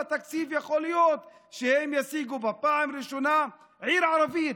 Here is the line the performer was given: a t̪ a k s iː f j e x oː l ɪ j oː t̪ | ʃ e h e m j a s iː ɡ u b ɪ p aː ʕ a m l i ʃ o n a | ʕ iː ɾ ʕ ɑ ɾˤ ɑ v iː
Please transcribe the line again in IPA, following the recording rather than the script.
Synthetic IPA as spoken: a t̪ a k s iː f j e x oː l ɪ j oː t̪ | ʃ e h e m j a s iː ɡ u b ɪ p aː ʕ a m ɾ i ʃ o n a | ʕ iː ɾ ʕ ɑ ɾˤ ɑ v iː